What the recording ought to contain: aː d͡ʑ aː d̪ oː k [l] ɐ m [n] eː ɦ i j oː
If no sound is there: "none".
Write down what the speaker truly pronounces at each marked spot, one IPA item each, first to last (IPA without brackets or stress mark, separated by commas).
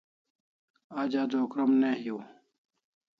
ɾ, n